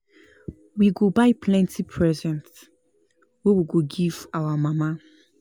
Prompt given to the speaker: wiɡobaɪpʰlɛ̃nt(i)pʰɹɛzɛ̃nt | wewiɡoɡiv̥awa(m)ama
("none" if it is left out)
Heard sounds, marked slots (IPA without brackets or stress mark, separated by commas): i, m